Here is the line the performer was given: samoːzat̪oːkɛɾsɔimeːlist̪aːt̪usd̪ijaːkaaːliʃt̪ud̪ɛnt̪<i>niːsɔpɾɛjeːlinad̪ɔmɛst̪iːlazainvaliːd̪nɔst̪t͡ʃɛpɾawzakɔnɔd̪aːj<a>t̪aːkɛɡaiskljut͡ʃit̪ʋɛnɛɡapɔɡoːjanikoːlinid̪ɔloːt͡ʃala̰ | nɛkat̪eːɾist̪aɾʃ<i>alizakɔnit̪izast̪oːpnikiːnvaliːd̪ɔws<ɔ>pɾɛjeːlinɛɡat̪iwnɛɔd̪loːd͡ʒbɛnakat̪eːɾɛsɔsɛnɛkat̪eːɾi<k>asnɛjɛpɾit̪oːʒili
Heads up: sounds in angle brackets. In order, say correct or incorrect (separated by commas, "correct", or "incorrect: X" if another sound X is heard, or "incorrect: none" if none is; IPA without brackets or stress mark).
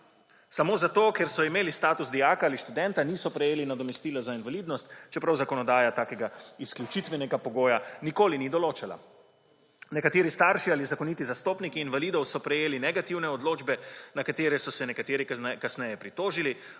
incorrect: a, correct, correct, correct, correct